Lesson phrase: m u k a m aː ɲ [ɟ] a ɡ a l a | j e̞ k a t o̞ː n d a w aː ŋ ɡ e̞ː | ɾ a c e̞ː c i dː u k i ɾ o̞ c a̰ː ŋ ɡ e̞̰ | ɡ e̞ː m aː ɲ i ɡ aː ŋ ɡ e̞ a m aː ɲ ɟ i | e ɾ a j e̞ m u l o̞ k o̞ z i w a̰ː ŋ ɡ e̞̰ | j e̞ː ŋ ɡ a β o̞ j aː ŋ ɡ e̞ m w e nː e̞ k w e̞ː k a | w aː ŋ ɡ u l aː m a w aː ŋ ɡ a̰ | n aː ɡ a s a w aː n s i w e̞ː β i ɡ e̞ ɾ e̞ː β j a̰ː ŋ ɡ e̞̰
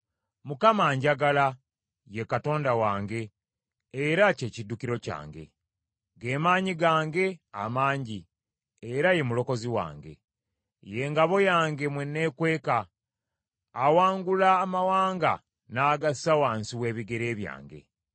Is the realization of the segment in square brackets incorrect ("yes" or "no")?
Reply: no